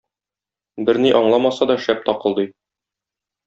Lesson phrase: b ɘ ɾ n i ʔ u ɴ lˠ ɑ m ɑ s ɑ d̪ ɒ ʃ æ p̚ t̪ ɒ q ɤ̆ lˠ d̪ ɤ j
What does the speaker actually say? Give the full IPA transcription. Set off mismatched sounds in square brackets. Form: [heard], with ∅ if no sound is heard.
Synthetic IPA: b ɘ ɾ n i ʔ [ɒ] ɴ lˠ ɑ m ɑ s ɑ d̪ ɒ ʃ æ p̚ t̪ ɒ q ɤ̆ lˠ d̪ ɤ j